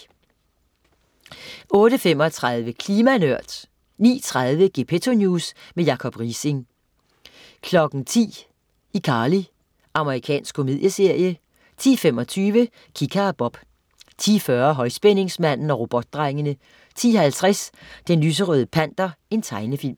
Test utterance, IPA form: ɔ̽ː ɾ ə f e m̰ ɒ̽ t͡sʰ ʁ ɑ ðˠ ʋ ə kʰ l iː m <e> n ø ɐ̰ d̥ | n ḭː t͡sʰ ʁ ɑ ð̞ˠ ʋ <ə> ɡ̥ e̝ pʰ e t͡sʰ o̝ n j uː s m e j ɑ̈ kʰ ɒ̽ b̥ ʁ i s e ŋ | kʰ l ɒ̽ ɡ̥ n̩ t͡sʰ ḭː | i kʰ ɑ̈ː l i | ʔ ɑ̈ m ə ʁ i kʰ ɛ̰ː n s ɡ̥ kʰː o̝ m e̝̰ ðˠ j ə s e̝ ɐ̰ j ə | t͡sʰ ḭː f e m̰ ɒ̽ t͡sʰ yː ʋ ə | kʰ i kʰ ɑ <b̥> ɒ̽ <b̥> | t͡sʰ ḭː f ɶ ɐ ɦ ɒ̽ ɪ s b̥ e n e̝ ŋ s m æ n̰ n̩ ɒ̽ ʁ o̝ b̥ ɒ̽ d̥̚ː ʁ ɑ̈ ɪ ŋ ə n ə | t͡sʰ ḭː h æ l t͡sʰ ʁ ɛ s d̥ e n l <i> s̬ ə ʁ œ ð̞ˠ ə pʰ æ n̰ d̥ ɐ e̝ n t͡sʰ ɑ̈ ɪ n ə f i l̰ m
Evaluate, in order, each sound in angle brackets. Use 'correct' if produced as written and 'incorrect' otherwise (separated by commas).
incorrect, correct, correct, correct, incorrect